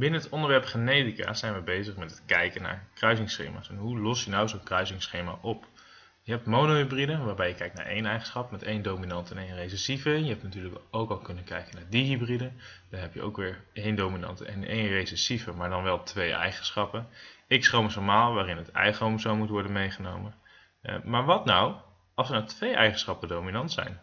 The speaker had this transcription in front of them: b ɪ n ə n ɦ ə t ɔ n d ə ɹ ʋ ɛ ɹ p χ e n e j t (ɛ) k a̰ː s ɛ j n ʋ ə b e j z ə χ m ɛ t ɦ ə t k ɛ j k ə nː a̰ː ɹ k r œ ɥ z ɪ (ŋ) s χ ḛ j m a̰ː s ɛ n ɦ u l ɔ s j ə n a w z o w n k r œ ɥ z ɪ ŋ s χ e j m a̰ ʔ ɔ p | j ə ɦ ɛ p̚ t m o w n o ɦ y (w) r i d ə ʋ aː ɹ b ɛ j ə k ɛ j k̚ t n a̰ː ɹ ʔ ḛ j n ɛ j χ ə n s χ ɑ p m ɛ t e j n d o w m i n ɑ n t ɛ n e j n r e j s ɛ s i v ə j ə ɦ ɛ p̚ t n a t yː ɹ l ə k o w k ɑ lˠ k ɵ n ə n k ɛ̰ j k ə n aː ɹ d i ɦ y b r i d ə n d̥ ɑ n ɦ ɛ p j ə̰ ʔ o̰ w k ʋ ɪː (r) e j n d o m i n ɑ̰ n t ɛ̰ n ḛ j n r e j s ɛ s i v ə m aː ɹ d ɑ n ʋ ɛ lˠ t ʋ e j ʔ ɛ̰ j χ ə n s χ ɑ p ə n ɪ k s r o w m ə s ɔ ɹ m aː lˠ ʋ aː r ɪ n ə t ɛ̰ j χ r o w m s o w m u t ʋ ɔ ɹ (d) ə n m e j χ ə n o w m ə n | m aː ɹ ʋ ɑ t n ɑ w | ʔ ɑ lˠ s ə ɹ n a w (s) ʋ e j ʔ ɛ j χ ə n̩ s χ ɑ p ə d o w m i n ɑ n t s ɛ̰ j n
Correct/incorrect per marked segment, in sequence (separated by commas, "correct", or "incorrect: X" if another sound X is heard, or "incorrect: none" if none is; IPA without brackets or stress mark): incorrect: i, correct, incorrect: b, incorrect: ɹ, correct, incorrect: t